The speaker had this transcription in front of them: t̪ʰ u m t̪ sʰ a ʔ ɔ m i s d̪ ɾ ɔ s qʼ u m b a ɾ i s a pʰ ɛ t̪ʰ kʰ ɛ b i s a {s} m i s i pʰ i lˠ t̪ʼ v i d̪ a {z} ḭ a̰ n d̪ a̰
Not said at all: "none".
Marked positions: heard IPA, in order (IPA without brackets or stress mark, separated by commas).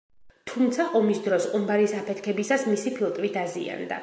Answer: s, z